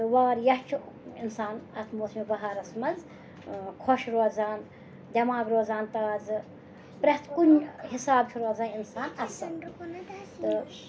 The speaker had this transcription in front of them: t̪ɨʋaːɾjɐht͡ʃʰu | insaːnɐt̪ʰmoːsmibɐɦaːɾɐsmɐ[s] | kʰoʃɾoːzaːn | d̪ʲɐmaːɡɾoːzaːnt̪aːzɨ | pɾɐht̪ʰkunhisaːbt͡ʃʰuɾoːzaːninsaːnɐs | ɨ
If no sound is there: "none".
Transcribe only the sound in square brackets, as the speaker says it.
z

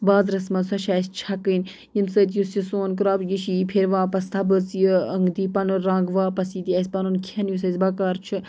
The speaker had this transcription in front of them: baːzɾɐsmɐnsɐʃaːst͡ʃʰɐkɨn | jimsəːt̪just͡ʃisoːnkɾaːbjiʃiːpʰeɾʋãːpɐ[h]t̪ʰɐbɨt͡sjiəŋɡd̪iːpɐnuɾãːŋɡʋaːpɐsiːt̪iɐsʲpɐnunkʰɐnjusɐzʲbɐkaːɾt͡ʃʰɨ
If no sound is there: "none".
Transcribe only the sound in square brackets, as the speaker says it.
s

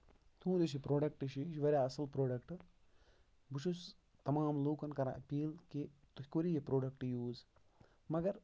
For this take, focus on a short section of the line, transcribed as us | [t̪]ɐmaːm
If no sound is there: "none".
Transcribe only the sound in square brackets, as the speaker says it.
t̪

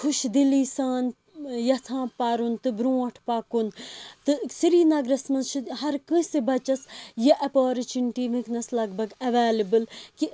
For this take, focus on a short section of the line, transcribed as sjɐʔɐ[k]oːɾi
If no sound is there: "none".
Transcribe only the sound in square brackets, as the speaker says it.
p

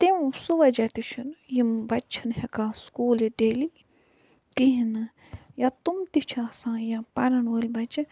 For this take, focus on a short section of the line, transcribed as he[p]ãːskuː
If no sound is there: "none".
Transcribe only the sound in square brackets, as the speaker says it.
k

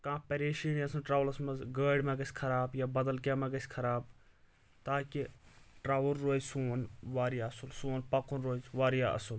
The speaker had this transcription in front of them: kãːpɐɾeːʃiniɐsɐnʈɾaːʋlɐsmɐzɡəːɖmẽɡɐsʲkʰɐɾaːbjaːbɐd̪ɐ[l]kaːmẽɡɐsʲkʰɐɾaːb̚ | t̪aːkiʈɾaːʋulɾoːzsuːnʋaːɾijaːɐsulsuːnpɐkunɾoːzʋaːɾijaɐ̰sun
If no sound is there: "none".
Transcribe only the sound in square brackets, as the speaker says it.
l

